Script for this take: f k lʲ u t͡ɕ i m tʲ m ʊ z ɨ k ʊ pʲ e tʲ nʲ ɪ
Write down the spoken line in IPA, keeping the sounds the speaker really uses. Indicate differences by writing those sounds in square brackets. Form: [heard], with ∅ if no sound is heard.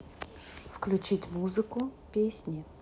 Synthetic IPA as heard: f k lʲ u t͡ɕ i [∅] tʲ m [u] z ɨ k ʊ pʲ e [sʲ] nʲ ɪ